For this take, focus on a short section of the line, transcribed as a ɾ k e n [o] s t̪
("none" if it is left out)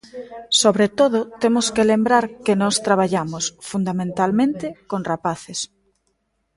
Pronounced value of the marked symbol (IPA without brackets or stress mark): ɔ